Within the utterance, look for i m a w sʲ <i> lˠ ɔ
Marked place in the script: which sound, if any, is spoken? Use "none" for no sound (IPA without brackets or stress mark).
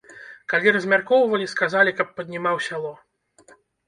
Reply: a